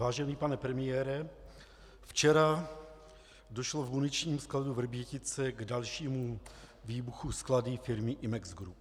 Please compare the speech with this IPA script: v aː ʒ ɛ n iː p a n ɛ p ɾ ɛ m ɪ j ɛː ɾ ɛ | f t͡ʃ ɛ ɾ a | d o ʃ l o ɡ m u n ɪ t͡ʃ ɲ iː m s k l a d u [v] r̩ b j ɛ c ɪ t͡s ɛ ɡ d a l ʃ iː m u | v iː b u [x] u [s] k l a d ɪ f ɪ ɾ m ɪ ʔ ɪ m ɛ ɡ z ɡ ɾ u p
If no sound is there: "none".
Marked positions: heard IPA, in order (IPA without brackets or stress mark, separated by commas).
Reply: v, x, s